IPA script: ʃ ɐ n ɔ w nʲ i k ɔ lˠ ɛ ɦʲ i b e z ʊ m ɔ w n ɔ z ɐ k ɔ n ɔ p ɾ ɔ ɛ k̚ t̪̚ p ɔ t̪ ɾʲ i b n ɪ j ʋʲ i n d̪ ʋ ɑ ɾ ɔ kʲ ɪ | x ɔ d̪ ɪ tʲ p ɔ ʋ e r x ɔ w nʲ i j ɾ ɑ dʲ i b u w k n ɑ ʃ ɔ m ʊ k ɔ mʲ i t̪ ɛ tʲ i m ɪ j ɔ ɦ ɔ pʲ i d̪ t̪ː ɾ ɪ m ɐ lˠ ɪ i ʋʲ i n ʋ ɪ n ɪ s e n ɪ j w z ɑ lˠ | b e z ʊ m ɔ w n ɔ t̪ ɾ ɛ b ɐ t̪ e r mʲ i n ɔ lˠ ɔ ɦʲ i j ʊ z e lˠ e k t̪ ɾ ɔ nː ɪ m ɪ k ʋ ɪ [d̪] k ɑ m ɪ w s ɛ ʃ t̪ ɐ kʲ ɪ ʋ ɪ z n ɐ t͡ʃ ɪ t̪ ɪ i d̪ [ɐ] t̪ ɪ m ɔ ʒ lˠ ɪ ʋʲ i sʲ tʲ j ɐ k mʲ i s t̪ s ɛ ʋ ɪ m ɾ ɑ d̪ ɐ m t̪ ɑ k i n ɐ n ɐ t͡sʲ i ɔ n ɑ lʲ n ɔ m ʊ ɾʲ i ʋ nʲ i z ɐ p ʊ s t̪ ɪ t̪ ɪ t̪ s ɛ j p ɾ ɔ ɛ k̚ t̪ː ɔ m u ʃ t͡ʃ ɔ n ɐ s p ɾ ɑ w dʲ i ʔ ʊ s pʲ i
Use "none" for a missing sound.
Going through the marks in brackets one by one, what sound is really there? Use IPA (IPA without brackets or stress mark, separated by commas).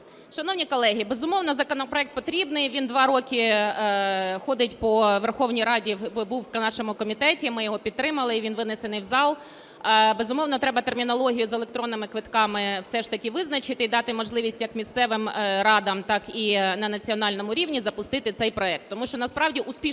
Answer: t̪, ɑ